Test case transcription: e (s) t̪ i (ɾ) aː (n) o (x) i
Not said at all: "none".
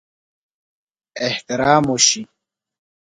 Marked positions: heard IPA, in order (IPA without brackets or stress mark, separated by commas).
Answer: h, ɾ, m, ɕ